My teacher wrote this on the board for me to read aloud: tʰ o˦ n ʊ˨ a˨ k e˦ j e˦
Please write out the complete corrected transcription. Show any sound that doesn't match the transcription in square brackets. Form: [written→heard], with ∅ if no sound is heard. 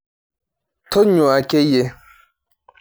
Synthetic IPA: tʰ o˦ [n→ɲ] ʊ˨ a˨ k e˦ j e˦